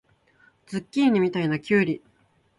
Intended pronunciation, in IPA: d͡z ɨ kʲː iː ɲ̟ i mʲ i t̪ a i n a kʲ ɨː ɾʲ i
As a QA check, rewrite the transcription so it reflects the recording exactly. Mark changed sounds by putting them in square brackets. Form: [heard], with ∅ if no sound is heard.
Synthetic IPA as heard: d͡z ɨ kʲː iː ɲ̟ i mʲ i t̪ a i n a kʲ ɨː ɾʲ i